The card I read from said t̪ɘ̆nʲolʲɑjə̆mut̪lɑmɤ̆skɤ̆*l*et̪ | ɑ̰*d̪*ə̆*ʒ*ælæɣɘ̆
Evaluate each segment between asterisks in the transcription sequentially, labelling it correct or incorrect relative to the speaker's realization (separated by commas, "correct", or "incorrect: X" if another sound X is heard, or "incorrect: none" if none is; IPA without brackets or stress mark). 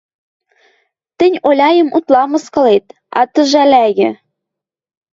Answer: correct, incorrect: t̪, correct